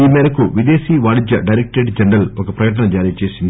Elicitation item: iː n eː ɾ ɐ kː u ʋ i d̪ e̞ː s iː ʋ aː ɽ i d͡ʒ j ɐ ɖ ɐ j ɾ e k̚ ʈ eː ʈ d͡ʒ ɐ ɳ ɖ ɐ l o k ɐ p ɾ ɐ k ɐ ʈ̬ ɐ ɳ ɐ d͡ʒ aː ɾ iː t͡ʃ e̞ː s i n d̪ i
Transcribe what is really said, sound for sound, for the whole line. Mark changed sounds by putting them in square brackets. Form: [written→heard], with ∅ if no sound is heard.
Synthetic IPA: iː [n→m] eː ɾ ɐ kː u ʋ i d̪ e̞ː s iː ʋ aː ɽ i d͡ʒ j ɐ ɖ ɐ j ɾ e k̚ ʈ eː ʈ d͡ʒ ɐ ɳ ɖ ɐ l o k ɐ p ɾ ɐ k ɐ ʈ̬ ɐ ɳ ɐ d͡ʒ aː ɾ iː t͡ʃ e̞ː s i n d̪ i